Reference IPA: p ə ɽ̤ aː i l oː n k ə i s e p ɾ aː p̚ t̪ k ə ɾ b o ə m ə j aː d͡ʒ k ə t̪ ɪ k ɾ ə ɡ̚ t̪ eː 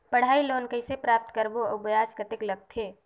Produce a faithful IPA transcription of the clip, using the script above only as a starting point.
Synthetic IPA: p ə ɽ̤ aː i l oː n k ə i s e p ɾ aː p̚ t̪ k ə ɾ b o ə b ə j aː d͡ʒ k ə t̪ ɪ k l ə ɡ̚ t̪ʰ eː